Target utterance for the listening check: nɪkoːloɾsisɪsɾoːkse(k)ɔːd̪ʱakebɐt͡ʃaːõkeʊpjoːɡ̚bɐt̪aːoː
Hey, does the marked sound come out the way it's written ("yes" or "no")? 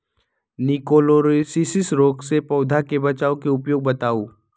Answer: no